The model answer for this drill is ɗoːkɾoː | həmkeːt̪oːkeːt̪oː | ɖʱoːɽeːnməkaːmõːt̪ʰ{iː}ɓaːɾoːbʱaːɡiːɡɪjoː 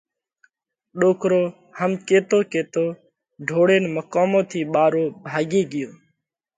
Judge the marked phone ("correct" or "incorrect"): correct